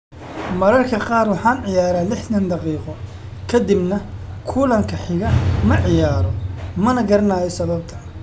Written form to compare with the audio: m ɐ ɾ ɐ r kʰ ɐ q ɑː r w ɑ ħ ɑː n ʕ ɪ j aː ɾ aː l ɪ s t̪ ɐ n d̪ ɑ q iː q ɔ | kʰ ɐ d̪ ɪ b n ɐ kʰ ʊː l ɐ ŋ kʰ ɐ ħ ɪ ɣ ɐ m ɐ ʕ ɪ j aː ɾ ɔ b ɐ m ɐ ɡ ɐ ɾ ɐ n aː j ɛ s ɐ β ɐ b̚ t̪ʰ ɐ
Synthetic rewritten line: m ɐ ɾ ɐ r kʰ ɐ q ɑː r w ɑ ħ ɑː n ʕ ɪ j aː ɾ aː l ɪ ħ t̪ ɐ n d̪ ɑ q iː q ɔ | kʰ ɐ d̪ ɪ b n ɐ kʰ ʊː l ɐ ŋ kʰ ɐ ħ ɪ ɣ ɐ m ɐ ʕ ɪ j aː ɾ ɔ m ɐ n ɐ ɡ ɐ ɾ ɐ n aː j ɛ s ɐ β ɐ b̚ t̪ʰ ɐ